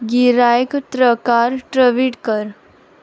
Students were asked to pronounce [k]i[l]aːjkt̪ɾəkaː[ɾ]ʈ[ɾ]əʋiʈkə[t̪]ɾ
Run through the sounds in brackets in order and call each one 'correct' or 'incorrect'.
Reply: incorrect: ɡ, incorrect: ɾ, correct, correct, incorrect: none

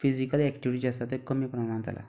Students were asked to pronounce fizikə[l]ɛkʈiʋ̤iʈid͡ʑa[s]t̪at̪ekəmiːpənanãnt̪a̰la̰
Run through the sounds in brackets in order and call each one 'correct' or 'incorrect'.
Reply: correct, correct

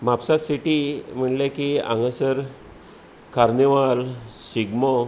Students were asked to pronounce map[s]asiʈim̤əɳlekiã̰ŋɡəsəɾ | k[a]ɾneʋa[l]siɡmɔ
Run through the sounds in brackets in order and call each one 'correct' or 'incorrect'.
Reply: correct, correct, correct

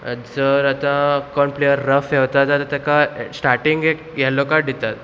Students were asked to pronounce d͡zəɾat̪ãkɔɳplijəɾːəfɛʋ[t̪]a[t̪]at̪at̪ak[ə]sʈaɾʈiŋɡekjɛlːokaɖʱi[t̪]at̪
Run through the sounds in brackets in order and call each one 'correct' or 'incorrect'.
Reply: correct, correct, incorrect: a, correct

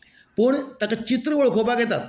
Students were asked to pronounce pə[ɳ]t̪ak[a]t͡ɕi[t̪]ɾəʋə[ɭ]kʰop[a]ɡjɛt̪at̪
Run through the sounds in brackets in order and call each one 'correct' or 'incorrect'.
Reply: correct, correct, correct, correct, correct

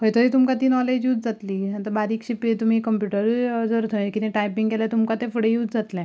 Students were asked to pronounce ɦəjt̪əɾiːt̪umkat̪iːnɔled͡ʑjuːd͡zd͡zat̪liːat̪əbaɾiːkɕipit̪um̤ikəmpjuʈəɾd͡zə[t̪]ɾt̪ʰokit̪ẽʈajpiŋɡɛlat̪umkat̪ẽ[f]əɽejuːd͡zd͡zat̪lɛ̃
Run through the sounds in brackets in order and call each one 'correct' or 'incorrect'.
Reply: incorrect: none, correct

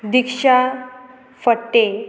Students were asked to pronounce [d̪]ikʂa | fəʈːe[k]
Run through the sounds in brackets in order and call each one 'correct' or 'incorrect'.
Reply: correct, incorrect: none

